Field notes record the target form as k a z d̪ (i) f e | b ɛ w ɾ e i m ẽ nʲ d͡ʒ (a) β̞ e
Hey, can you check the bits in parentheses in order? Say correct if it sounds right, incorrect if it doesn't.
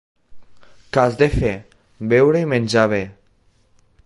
incorrect, correct

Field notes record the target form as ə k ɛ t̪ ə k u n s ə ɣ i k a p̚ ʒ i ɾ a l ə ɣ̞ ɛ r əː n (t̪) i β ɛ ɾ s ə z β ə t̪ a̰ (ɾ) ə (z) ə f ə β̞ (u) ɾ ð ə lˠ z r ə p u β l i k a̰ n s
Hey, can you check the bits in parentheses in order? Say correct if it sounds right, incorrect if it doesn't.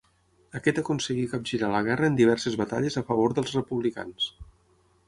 incorrect, incorrect, correct, incorrect

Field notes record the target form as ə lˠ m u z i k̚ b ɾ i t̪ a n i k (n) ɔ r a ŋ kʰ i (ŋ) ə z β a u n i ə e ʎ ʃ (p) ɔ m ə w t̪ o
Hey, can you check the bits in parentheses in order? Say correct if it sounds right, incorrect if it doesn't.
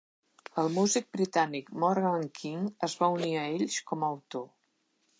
incorrect, correct, incorrect

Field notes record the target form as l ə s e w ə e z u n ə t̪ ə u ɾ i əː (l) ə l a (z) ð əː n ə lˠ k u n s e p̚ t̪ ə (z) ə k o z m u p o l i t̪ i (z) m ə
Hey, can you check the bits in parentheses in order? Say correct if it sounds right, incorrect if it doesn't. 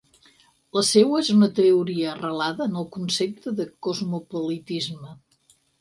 incorrect, incorrect, incorrect, correct

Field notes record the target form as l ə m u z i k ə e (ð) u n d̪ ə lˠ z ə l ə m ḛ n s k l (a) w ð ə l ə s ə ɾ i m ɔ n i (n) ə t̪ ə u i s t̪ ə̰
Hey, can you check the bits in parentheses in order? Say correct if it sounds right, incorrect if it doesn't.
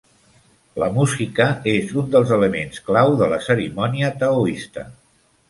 incorrect, correct, incorrect

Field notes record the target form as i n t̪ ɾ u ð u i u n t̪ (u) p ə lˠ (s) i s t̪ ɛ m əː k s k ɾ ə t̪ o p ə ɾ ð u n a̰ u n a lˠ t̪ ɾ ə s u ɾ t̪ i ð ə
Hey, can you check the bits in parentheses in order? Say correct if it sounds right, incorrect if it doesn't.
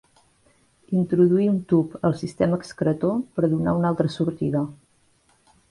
correct, correct

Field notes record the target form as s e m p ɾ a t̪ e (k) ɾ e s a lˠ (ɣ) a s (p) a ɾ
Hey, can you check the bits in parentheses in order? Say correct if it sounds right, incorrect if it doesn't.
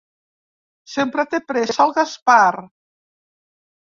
incorrect, correct, correct

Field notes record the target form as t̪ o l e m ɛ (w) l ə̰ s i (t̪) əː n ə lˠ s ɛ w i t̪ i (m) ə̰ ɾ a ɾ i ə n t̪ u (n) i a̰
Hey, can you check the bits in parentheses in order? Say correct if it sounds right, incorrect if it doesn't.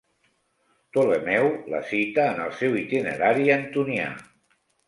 correct, correct, incorrect, correct

